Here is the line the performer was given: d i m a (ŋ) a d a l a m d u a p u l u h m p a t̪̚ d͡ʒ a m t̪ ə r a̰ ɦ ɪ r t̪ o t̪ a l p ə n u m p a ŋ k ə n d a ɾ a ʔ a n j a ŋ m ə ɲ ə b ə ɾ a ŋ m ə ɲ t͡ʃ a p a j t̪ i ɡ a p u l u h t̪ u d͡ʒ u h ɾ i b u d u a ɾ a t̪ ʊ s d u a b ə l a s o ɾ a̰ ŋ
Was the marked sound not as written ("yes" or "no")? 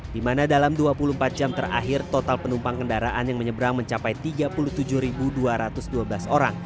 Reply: yes